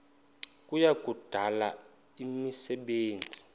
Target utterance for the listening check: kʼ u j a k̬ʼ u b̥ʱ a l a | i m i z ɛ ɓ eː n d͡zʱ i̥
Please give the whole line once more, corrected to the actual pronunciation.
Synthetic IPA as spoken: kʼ u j a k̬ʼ u d̥ʱ a l a | i m i s ɛ ɓ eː n d͡zʱ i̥